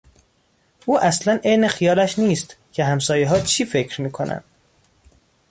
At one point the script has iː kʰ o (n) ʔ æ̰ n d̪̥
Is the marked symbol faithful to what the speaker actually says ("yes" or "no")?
yes